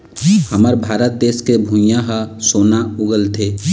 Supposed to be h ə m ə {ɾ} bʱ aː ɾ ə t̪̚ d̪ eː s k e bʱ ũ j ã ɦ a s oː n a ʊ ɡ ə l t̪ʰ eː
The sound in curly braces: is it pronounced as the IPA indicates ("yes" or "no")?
yes